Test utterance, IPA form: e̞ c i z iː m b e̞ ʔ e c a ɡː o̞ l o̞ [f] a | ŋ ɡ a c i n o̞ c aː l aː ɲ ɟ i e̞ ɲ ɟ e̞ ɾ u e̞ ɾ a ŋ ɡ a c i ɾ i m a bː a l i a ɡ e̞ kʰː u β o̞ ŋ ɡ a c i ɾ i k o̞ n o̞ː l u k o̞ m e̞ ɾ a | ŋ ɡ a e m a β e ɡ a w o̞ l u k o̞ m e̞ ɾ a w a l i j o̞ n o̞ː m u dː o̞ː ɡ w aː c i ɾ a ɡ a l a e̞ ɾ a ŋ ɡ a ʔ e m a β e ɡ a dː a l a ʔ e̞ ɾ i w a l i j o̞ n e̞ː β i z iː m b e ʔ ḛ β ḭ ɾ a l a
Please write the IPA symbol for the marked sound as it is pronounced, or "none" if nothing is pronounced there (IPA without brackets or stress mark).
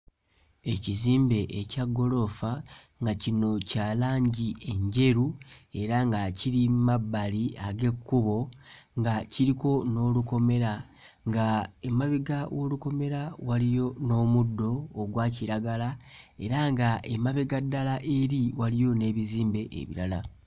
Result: f